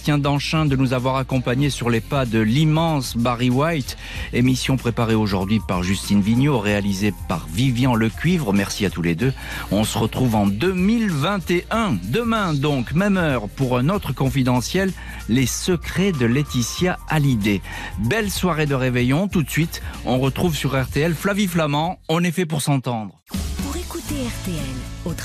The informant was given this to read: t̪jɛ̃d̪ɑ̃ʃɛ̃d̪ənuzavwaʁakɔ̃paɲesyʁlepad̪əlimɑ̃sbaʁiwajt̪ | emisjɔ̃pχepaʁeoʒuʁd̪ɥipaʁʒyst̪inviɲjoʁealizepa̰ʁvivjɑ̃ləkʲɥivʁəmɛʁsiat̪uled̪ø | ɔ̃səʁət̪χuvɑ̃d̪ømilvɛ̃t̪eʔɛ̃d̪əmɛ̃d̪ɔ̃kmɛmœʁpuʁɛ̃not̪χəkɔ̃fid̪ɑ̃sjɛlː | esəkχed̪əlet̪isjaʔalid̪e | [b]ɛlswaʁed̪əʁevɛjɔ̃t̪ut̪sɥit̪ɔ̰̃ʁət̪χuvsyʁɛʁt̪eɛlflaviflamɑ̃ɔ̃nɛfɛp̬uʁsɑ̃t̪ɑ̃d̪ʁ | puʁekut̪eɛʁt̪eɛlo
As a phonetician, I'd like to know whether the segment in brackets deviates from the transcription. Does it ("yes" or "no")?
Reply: no